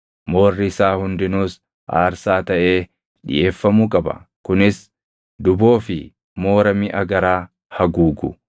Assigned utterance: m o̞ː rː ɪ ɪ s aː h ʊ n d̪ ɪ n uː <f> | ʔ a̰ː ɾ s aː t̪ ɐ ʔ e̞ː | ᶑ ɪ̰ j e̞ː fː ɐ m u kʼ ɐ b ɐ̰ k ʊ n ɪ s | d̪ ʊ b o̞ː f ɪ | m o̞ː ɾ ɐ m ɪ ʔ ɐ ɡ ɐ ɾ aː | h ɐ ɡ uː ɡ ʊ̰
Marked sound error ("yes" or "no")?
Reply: yes